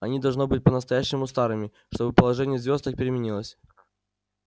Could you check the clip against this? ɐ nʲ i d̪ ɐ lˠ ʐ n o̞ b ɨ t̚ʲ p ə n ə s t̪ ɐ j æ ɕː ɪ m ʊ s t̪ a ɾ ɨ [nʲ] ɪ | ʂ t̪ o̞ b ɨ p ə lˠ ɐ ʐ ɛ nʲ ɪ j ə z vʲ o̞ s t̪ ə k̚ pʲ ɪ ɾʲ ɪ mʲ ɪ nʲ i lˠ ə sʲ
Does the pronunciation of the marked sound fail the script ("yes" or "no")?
yes